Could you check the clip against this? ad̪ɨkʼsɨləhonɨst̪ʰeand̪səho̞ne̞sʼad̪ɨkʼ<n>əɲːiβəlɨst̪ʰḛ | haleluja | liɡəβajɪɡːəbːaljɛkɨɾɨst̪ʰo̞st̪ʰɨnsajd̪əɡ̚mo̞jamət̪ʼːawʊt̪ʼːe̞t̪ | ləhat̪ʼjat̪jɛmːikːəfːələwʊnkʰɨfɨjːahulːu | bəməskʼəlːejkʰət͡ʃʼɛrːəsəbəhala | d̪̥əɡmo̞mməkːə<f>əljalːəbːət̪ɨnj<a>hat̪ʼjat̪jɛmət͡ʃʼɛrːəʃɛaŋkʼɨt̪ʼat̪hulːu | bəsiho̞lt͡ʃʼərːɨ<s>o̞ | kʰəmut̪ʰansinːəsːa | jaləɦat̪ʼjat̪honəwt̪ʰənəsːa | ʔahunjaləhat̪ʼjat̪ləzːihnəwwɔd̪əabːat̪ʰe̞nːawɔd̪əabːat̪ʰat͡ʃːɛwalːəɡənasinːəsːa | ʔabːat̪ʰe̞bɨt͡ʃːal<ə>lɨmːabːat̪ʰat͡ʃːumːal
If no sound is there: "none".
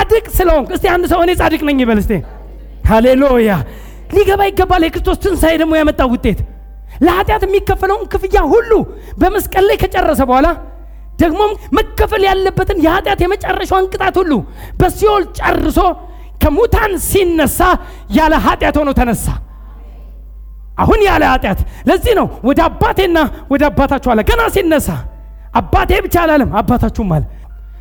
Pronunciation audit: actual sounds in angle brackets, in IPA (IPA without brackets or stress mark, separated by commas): n, f, ɛ, s, a